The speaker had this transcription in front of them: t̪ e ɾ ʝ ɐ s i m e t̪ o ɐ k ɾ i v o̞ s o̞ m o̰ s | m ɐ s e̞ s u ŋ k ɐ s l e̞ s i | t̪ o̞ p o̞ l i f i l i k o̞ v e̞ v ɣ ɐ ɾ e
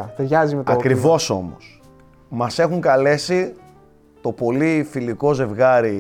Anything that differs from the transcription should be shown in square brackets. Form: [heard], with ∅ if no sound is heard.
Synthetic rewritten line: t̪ e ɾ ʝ ɐ [z] i m e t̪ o ɐ k ɾ i v o̞ s o̞ m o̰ s | m ɐ s e̞ [x] u ŋ k ɐ [∅] l e̞ s i | t̪ o̞ p o̞ l i f i l i k o̞ [z] e̞ v ɣ ɐ ɾ [i]